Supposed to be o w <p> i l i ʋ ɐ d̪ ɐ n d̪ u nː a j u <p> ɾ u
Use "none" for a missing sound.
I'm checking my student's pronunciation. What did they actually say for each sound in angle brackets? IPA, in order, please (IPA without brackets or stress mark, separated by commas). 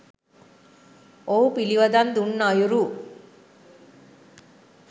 p, none